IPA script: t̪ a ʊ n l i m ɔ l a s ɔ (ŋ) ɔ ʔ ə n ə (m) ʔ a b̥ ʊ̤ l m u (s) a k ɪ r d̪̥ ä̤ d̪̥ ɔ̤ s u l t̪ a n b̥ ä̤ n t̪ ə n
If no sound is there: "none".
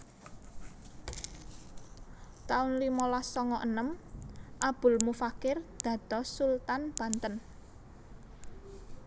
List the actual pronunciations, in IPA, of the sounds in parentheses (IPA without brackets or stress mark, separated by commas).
ŋ, m, f